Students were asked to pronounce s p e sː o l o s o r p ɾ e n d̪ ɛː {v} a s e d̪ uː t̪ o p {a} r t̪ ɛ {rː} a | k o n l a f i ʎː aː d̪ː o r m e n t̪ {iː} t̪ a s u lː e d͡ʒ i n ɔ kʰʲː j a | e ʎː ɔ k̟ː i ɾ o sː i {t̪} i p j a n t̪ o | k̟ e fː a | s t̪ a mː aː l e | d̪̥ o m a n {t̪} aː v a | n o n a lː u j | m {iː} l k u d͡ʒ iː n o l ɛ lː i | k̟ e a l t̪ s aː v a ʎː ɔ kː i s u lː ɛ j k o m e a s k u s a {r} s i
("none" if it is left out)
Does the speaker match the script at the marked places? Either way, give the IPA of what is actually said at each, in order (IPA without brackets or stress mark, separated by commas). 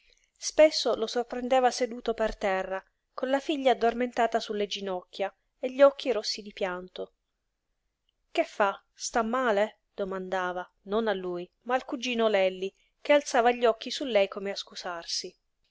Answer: v, e, rː, aː, d̪, d̪, aː, r